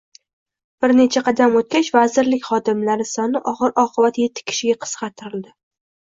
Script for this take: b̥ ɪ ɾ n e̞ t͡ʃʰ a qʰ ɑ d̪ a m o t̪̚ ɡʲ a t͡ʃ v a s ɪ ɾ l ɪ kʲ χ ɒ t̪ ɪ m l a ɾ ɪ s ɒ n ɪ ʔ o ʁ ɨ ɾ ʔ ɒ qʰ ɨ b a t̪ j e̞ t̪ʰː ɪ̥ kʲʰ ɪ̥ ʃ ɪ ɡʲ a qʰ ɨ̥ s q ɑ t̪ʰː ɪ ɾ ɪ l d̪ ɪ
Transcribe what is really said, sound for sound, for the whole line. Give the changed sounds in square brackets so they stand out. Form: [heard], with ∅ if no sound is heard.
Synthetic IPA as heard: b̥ ɪ ɾ n e̞ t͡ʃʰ a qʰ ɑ d̪ a m o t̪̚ [kʲ] a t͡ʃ v a [z] ɪ ɾ l ɪ kʲ χ ɒ [d̪] ɪ m l a ɾ ɪ s ɒ n ɪ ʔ [ɒ] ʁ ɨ ɾ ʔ ɒ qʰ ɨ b a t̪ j e̞ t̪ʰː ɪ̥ kʲʰ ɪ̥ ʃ ɪ ɡʲ a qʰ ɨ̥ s q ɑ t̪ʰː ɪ ɾ ɪ l d̪ ɪ